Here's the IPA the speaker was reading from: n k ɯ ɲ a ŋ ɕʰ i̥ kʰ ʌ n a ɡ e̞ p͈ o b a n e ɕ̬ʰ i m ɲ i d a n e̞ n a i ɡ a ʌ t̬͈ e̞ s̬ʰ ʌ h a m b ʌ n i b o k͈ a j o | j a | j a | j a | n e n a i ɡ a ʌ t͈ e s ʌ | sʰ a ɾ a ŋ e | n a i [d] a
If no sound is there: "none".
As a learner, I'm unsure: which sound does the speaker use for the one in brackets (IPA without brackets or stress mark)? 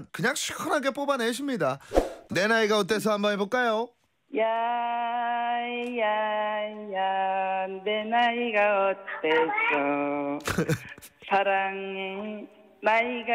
ɡ